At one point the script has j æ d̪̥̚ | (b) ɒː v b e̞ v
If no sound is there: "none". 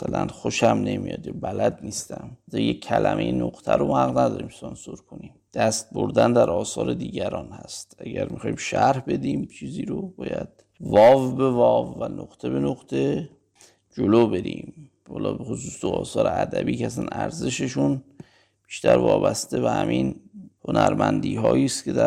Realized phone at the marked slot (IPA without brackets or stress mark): v